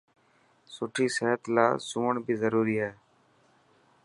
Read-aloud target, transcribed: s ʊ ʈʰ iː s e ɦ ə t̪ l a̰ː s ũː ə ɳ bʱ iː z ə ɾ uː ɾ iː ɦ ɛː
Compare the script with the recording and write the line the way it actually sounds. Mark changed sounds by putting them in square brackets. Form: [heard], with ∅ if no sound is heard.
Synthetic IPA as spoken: s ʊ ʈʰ iː s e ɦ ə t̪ l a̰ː s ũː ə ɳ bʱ iː z ə ɾ uː ɾ iː ɦ ɛː